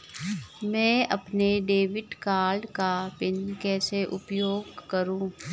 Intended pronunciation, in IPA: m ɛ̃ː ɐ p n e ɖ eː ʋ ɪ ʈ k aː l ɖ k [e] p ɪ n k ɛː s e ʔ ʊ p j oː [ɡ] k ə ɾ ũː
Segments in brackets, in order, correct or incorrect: incorrect: a, correct

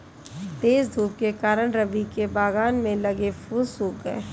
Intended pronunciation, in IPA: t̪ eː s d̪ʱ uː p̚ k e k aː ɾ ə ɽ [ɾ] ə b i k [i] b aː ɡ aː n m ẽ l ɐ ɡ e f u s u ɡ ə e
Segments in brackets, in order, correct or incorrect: correct, incorrect: e

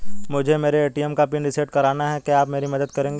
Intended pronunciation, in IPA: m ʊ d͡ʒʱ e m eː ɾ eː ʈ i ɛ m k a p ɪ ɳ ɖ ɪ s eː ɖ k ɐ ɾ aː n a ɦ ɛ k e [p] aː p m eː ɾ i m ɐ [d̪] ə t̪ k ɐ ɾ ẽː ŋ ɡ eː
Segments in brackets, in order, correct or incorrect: incorrect: none, correct

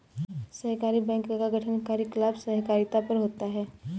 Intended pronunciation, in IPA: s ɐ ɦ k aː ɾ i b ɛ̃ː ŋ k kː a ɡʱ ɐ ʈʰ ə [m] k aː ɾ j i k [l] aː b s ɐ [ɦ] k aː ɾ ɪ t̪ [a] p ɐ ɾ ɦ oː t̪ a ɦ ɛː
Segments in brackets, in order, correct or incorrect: incorrect: n, correct, correct, correct

